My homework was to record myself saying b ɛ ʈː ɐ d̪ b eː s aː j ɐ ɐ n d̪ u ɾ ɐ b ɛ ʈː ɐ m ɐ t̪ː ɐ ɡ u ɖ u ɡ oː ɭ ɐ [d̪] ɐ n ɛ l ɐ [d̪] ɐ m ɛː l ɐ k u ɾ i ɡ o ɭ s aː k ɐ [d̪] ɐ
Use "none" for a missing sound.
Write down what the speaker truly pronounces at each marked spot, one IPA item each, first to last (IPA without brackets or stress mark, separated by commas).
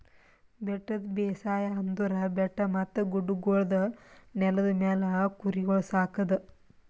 d̪, d̪, d̪